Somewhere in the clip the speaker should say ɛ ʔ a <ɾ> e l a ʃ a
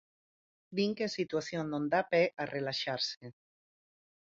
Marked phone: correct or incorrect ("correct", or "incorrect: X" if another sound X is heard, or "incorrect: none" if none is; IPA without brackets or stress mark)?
incorrect: r